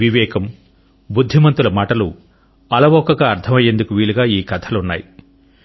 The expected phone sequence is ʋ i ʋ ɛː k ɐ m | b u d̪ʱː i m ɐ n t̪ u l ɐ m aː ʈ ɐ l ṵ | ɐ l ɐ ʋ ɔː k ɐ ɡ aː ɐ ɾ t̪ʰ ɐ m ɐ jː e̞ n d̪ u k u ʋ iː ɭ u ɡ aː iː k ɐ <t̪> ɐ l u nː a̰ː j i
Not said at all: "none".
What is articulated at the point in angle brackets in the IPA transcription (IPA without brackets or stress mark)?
t̪ʰ